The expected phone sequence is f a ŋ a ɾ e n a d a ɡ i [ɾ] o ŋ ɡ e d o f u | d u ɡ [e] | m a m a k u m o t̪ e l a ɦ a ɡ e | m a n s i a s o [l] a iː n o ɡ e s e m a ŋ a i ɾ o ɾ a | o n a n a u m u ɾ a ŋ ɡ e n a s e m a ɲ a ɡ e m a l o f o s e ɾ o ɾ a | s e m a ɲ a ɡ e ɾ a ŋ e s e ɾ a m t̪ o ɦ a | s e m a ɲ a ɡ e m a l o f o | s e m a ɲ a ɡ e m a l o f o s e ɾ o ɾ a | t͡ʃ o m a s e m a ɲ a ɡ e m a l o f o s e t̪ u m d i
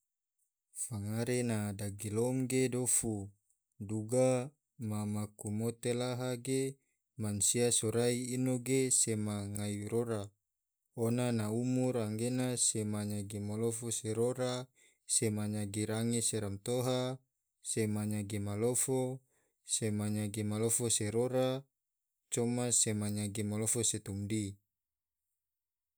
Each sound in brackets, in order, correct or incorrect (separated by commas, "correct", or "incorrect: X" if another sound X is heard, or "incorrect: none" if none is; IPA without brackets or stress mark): incorrect: l, incorrect: a, incorrect: ɾ